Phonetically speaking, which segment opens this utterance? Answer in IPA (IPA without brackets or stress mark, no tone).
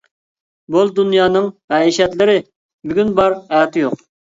b